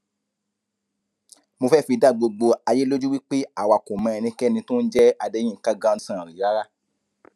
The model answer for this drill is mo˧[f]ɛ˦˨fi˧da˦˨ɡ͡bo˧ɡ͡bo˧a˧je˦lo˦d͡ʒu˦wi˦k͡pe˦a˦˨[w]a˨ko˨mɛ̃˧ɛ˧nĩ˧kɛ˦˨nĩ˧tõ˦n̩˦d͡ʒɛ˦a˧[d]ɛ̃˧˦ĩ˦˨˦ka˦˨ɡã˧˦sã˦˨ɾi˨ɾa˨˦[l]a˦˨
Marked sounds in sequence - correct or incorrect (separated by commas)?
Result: correct, correct, correct, incorrect